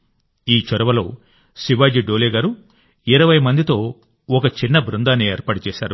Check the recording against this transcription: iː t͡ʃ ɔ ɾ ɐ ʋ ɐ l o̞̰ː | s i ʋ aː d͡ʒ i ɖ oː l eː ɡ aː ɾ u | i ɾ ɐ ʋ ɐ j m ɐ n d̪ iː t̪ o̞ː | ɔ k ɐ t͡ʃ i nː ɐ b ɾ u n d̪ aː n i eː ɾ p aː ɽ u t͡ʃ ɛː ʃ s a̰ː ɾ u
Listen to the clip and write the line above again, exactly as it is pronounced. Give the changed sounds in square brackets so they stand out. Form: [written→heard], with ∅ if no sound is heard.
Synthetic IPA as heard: iː t͡ʃ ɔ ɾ ɐ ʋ ɐ l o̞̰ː | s i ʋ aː d͡ʒ i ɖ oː l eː ɡ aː ɾ u | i ɾ ɐ ʋ ɐ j m ɐ n d̪ [iː→i] t̪ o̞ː | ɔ k ɐ t͡ʃ i nː ɐ b ɾ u n d̪ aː n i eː ɾ p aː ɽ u t͡ʃ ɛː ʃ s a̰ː ɾ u